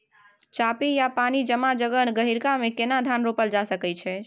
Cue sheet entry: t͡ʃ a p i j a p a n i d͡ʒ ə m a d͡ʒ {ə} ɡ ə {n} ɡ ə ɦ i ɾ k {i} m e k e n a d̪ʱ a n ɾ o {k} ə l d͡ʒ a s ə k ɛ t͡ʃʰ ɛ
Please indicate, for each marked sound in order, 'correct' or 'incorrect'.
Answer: correct, correct, incorrect, incorrect

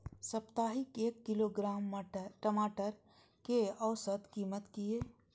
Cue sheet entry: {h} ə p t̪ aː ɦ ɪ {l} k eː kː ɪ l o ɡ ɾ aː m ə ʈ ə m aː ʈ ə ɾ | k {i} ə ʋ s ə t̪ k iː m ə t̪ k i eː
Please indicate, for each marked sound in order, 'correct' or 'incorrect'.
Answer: incorrect, incorrect, incorrect

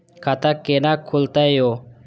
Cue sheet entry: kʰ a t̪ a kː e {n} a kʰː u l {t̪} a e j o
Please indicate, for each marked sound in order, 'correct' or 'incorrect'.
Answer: correct, correct

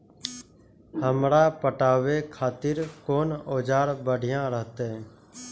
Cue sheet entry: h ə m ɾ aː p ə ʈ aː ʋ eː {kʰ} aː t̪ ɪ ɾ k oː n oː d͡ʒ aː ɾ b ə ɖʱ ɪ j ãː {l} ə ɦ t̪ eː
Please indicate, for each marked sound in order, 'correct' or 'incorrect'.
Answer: correct, incorrect

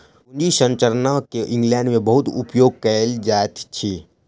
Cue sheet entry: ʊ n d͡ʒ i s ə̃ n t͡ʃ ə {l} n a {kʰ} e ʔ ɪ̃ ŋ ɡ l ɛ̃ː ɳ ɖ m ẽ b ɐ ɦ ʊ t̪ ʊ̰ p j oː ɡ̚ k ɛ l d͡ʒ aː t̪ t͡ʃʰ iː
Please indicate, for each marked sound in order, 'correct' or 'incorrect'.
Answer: incorrect, incorrect

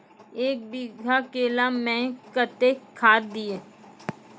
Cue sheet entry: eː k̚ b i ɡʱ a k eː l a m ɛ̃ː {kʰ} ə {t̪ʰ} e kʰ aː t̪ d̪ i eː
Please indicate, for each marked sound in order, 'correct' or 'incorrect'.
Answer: incorrect, incorrect

